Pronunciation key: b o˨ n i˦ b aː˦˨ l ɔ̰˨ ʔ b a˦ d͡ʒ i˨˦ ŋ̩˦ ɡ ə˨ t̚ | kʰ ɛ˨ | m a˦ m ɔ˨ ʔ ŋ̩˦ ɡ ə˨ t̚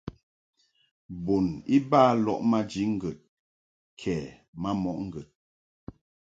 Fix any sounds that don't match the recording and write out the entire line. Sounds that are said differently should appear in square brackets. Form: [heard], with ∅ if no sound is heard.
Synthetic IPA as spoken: b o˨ n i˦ b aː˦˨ l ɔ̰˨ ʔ [m] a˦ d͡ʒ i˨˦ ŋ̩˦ ɡ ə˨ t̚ | kʰ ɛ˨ | m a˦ m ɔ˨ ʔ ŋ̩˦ ɡ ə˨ t̚